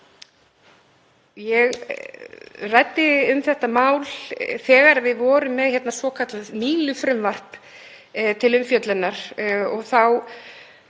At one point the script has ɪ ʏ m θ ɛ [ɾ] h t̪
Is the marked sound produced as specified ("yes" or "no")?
no